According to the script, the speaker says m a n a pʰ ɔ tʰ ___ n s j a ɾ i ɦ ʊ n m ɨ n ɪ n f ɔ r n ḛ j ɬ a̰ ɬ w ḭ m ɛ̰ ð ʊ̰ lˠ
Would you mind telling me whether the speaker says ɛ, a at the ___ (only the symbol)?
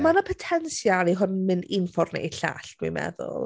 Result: ɛ